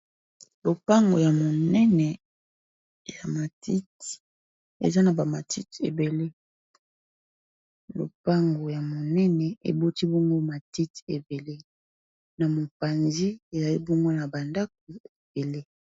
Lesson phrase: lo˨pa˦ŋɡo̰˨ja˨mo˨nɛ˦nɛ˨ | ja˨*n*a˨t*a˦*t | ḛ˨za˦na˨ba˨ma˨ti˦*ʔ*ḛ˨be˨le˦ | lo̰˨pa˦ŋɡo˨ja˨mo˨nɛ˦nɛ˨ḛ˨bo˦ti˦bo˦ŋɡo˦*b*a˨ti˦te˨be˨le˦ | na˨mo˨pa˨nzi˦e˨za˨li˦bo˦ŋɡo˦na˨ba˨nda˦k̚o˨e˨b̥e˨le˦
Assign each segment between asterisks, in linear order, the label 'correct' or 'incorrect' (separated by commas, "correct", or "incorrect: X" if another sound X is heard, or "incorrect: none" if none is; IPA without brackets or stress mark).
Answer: incorrect: m, incorrect: i˦, incorrect: t, incorrect: m